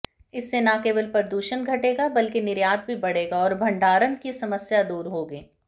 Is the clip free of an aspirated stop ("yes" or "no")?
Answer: yes